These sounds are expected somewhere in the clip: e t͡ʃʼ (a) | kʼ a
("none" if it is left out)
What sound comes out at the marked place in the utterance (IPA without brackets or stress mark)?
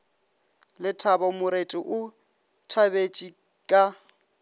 i